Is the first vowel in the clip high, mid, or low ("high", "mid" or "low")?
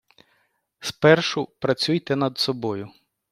mid